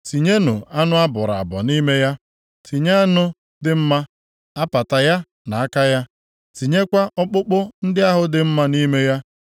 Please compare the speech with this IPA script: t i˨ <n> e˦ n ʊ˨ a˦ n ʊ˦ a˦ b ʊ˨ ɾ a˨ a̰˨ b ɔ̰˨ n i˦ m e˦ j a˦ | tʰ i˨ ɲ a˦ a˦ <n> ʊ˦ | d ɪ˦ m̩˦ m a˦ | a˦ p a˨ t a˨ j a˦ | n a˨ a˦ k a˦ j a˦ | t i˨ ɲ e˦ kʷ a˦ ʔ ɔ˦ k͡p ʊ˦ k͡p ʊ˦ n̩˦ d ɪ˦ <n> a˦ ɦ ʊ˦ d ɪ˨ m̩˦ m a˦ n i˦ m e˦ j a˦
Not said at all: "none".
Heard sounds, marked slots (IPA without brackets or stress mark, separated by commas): ɲ, n, none